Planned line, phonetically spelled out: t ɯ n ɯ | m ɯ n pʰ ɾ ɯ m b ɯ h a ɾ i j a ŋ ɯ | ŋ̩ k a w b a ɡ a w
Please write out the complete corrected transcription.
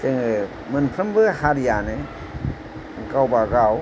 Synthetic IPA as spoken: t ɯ ŋ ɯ | m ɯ n pʰ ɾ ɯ m b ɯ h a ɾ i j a n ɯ | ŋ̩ k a w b a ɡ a w